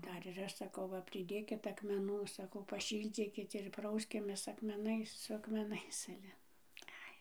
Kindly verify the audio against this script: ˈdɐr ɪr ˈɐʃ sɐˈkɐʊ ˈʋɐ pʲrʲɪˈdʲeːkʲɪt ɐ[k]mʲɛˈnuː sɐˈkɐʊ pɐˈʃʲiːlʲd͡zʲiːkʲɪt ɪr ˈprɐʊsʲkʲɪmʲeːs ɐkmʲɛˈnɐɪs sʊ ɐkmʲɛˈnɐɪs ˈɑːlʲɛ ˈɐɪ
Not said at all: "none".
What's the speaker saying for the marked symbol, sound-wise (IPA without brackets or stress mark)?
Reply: k